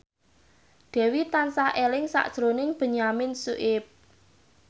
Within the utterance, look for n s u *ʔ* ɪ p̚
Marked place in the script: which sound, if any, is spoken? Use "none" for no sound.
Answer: ʔ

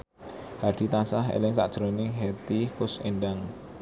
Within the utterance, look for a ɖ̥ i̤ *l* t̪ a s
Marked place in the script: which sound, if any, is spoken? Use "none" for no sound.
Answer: none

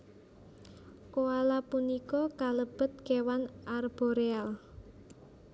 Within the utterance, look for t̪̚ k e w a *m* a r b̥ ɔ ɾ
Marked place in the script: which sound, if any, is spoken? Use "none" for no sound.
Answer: n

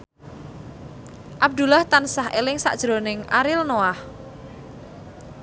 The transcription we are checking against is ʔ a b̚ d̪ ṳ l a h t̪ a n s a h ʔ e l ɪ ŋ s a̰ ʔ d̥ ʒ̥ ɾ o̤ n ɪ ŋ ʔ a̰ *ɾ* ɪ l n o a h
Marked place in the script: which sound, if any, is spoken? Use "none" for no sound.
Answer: ɾ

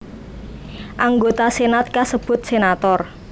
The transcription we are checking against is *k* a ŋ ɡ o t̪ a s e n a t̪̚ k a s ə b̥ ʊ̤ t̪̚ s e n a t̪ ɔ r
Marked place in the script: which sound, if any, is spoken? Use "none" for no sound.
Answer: ʔ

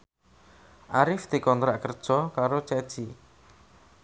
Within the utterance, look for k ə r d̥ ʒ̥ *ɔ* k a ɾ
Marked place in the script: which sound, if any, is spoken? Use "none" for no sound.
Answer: ɔ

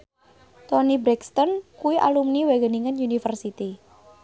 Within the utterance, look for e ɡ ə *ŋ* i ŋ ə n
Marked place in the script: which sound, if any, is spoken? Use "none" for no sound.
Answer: n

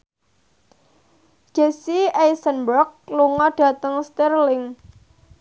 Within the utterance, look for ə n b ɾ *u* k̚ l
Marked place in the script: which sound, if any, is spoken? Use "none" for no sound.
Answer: ɔ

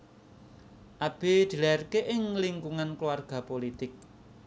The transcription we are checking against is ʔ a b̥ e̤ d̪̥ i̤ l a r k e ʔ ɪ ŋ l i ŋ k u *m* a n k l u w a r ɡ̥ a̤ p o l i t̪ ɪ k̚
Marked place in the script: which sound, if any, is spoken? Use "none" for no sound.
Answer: ŋ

